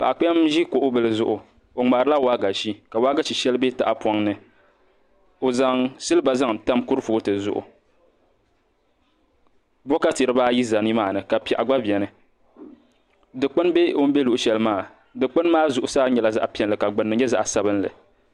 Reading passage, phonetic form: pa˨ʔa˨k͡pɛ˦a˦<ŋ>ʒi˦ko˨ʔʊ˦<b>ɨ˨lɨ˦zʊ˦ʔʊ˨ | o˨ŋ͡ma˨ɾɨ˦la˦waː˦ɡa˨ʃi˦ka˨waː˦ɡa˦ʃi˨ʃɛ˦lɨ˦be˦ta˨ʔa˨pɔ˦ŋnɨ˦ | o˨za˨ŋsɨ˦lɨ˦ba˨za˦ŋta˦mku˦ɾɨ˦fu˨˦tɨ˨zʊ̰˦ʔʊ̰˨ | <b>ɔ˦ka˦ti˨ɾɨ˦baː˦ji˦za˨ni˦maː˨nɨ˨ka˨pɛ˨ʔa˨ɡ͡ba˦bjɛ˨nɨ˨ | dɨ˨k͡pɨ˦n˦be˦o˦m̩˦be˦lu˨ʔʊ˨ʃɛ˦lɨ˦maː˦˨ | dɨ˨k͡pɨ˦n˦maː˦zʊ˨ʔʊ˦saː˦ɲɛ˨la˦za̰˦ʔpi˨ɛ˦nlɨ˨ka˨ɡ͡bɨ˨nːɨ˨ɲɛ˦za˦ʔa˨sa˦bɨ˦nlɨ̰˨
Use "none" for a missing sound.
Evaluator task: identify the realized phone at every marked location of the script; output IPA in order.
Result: m, b, b

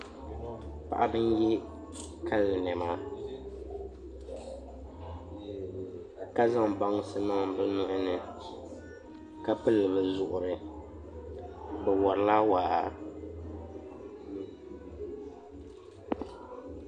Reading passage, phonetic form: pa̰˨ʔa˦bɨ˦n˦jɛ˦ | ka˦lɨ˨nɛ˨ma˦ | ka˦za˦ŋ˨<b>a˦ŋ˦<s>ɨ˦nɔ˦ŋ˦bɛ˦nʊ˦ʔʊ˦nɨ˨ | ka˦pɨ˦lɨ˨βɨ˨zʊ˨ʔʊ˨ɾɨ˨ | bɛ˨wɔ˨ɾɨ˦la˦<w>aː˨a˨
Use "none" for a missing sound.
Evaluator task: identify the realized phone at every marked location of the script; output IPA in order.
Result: b, s, w

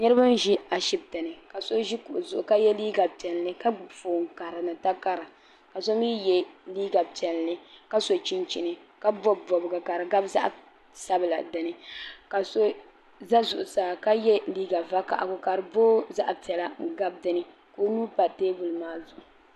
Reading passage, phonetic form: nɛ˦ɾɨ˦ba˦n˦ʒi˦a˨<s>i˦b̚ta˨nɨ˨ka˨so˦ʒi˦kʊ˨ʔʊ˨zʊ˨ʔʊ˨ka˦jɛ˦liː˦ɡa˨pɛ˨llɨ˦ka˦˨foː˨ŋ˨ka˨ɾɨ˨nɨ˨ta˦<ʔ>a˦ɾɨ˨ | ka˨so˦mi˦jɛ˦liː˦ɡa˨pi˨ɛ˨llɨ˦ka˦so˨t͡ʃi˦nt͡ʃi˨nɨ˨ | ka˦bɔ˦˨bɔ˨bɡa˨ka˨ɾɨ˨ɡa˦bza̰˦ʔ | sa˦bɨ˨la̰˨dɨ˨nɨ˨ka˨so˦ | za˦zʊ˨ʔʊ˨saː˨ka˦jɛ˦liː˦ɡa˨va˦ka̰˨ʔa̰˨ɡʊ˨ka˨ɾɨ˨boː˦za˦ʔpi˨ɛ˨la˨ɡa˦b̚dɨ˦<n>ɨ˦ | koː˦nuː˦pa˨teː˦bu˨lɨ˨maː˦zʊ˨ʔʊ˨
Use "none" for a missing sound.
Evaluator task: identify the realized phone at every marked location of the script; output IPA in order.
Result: ʃ, k, n

